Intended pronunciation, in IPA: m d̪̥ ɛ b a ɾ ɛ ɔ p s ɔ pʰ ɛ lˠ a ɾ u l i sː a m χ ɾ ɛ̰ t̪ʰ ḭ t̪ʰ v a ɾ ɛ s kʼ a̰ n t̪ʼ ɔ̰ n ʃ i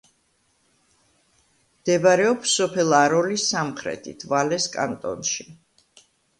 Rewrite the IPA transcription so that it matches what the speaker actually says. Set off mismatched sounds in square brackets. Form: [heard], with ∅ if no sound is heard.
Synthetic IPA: m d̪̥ ɛ b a ɾ ɛ ɔ p s ɔ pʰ ɛ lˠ a ɾ [ɔ] l i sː a m χ ɾ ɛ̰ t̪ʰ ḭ t̪ʰ v a [l] ɛ s kʼ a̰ n t̪ʼ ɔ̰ n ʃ i